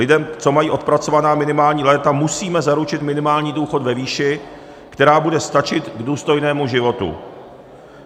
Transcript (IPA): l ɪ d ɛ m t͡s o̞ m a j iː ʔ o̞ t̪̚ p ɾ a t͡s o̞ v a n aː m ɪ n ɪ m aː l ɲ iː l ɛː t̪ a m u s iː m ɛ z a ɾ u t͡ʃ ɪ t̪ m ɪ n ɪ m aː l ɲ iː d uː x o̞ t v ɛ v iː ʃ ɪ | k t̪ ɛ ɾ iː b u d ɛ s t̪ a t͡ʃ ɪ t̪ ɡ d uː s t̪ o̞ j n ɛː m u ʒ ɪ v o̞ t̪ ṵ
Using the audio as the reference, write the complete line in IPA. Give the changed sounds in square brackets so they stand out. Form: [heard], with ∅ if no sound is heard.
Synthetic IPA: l ɪ d ɛ m t͡s o̞ m a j iː ʔ o̞ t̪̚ p ɾ a t͡s o̞ v a n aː m ɪ n ɪ m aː l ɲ iː l ɛː t̪ a m u s iː m ɛ z a ɾ u t͡ʃ ɪ t̪ m ɪ n ɪ m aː l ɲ iː d uː x o̞ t v ɛ v iː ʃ ɪ | k t̪ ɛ ɾ [aː] b u d ɛ s t̪ a t͡ʃ ɪ t̪ ɡ d uː s t̪ o̞ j n ɛː m u ʒ ɪ v o̞ t̪ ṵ